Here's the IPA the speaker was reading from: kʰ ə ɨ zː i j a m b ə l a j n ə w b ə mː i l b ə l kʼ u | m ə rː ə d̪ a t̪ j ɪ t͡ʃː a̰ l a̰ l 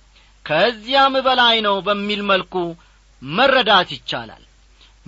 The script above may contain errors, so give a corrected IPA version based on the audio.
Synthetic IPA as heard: kʰ ə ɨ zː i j a m b ə l a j n ə w b ə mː i l m ə l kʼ u | m ə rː ə d̪ a t̪ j ɪ t͡ʃː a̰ l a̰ l